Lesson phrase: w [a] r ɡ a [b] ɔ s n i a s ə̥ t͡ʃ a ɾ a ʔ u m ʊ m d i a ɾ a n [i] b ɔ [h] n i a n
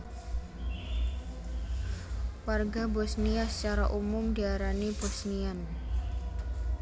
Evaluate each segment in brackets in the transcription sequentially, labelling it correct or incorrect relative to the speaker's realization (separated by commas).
correct, correct, correct, incorrect